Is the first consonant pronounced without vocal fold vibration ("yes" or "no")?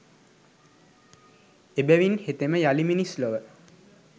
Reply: no